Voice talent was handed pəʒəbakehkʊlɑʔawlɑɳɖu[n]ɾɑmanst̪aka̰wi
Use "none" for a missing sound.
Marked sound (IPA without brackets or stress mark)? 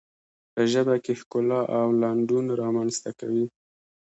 n